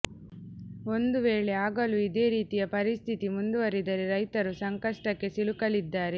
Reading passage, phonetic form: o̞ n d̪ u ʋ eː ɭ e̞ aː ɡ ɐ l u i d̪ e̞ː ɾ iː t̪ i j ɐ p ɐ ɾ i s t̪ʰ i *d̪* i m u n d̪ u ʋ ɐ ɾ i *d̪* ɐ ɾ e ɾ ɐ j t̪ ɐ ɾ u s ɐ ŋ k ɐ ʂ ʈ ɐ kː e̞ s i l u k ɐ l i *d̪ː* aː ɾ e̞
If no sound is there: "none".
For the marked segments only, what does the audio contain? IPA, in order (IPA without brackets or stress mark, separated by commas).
t̪, d̪, d̪ː